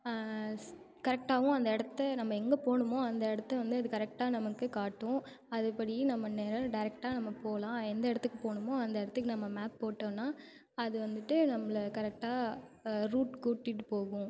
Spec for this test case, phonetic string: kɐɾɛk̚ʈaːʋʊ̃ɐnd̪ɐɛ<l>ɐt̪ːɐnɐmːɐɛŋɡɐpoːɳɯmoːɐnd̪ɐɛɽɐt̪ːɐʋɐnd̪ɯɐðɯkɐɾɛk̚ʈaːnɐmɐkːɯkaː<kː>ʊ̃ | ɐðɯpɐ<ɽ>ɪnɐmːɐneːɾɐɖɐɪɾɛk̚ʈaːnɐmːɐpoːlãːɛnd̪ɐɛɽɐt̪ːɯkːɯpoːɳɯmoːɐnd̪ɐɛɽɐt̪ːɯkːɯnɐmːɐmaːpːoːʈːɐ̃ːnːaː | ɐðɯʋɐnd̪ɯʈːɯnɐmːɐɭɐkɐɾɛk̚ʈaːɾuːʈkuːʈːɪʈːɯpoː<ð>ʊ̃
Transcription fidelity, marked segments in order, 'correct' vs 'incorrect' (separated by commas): incorrect, incorrect, correct, incorrect